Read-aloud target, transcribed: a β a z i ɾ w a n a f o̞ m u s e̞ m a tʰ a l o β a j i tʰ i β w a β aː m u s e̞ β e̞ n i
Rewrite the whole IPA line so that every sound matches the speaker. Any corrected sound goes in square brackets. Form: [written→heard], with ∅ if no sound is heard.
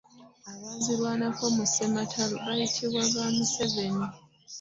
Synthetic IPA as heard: a β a z i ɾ w a n a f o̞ m u s e̞ m a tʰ a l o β a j i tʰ i β w a β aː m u s e̞ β e̞ n i